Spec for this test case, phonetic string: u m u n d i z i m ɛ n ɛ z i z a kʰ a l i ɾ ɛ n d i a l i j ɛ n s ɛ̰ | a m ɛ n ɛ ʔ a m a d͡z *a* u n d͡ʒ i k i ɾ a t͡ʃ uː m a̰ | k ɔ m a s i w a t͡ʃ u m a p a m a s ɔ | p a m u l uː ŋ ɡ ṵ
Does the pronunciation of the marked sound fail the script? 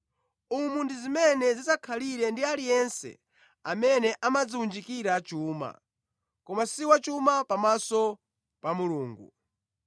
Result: yes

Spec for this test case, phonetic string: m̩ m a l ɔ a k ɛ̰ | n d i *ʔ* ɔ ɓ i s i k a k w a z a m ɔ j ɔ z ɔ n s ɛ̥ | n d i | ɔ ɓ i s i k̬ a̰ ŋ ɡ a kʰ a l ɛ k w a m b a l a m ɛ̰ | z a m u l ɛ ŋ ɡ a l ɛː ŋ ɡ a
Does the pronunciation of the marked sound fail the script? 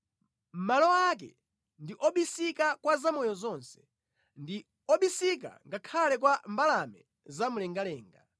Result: no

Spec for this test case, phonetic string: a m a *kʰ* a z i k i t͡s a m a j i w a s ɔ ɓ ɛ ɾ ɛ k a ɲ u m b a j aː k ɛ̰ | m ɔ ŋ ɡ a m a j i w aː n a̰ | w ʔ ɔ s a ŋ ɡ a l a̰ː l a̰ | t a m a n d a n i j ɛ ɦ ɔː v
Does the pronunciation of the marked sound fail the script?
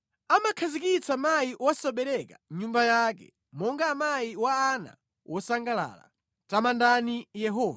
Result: no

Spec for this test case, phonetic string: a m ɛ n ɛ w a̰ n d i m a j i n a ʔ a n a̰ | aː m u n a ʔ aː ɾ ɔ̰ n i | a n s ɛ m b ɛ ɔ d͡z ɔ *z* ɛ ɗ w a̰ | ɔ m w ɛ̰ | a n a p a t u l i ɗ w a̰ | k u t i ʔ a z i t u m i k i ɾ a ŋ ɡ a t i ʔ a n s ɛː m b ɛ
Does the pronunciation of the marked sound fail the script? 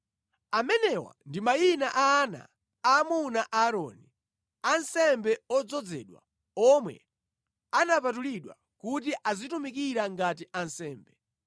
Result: yes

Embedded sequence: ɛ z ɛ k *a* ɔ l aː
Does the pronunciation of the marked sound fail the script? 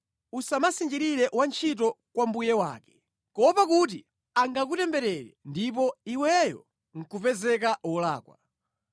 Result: no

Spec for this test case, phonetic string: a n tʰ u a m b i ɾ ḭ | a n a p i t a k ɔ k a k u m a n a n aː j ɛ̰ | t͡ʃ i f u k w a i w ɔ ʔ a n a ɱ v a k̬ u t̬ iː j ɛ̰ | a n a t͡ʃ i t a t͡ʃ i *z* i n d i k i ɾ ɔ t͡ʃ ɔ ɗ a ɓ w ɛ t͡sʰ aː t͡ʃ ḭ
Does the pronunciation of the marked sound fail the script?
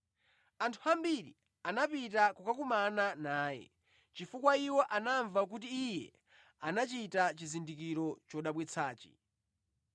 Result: no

